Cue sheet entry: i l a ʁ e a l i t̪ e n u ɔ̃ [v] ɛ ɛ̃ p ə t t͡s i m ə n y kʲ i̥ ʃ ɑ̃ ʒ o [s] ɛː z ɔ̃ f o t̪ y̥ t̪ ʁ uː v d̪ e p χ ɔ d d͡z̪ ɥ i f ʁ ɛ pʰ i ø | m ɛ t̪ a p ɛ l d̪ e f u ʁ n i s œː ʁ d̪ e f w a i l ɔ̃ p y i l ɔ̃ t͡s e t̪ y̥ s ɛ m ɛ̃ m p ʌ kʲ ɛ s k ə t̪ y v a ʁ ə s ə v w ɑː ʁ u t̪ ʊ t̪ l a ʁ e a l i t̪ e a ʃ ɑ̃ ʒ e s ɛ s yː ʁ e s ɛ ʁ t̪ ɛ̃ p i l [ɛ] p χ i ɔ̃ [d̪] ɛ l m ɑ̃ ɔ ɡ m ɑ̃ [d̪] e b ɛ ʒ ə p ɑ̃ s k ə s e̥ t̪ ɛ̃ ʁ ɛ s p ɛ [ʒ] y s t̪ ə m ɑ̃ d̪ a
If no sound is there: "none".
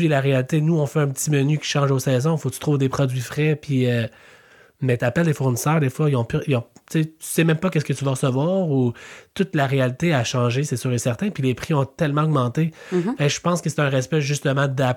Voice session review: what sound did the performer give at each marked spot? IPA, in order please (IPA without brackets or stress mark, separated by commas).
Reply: f, s, e, t̪, t̪, ʒ